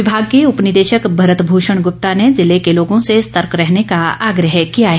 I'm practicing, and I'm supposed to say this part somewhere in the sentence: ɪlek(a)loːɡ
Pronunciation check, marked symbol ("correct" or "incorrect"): incorrect